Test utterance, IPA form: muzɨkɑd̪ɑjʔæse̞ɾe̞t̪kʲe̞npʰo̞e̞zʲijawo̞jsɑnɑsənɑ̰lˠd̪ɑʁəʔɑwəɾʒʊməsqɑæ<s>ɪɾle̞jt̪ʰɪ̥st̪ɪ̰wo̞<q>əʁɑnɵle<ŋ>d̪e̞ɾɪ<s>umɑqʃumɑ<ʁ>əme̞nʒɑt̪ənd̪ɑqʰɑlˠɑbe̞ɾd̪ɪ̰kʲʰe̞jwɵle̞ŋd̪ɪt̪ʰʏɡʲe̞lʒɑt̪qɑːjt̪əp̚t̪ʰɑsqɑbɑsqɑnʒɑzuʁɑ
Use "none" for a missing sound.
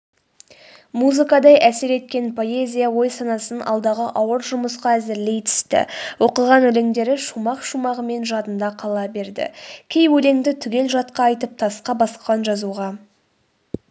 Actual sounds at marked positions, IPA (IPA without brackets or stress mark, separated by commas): z, q, ŋ, ʃ, ʁ